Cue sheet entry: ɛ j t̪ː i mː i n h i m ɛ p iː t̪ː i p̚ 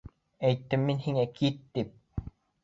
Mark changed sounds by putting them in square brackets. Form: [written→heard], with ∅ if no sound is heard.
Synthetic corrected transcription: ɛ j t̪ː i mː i n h i [m→ŋ] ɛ [p→k] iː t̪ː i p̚